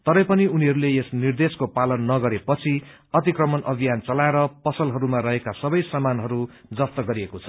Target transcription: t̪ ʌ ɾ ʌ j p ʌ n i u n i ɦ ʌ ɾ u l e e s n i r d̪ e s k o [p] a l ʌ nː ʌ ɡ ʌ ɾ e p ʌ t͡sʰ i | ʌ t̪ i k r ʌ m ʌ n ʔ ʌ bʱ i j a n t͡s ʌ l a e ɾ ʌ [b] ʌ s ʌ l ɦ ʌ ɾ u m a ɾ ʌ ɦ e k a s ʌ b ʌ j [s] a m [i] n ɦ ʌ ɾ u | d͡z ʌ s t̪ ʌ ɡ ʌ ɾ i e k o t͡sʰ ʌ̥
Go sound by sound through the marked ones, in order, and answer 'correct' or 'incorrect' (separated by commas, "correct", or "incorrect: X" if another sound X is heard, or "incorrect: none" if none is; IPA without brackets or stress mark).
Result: correct, incorrect: p, correct, incorrect: a